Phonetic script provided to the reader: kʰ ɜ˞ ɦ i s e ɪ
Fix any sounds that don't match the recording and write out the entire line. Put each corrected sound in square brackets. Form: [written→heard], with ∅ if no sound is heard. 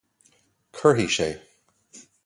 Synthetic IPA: kʰ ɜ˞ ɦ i [s→ʃ] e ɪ